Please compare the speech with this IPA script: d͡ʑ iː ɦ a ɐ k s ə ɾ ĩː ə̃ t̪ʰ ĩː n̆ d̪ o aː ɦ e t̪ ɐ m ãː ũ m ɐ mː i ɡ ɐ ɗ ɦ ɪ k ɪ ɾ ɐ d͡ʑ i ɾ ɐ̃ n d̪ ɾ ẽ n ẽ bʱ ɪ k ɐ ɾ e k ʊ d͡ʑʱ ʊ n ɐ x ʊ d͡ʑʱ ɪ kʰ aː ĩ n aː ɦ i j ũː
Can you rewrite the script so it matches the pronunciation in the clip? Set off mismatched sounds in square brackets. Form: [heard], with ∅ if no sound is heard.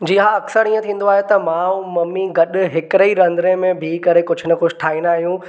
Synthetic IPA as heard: d͡ʑ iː ɦ a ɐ k s ə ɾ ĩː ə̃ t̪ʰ ĩː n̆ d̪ o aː ɦ e t̪ ɐ m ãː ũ m ɐ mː i ɡ ɐ ɗ ɦ ɪ k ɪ ɾ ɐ [∅] i ɾ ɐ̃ n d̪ ɾ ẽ [m] ẽ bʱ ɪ k ɐ ɾ e k ʊ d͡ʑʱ ʊ n ɐ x ʊ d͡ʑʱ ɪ [ʈʰ] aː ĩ n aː ɦ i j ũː